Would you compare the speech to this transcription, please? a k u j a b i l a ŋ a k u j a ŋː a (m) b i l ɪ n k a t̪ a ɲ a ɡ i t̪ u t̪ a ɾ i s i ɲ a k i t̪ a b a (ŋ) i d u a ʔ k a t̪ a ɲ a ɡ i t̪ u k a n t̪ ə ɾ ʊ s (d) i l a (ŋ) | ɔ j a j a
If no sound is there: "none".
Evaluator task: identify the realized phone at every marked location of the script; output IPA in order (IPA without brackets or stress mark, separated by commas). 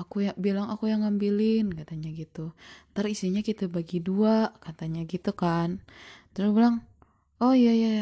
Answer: m, ɡ, b, ŋ